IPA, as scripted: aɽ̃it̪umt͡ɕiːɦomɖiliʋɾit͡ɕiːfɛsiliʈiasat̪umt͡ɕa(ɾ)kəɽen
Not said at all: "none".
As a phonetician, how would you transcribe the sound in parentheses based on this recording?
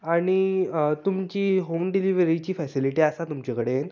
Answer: none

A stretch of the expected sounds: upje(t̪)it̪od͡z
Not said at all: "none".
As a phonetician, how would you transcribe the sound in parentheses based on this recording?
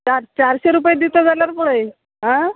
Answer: d̪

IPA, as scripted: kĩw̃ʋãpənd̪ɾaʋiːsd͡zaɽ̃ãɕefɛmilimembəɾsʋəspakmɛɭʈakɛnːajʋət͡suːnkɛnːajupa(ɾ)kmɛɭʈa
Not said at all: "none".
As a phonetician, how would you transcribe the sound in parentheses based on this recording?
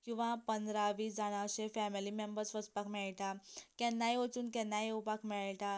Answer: none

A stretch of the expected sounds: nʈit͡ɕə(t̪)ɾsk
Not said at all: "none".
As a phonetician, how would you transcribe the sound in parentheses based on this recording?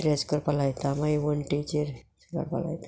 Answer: none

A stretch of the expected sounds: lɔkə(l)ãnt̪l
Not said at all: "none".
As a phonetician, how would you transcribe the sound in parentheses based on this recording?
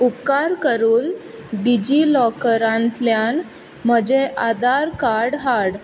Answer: ɾ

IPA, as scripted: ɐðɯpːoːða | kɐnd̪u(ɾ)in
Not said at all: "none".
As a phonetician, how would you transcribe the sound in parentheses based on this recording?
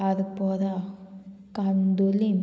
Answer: l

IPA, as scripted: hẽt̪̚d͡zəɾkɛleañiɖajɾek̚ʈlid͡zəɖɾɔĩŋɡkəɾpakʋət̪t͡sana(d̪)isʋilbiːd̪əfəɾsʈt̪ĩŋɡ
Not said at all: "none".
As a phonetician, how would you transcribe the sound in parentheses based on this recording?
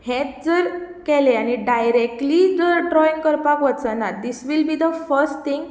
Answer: d̪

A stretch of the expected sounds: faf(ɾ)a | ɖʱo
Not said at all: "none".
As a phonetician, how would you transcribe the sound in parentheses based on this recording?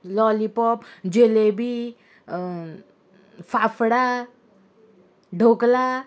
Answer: ɽ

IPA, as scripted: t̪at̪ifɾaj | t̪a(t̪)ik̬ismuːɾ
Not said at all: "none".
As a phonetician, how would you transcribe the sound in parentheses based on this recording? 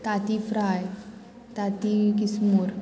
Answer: t̪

